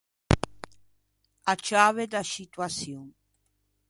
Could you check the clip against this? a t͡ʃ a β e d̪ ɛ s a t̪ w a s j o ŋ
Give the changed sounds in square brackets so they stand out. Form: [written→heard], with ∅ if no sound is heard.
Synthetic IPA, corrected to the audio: a t͡ʃ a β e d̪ [ɛ→a] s [a→i] t̪ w a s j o ŋ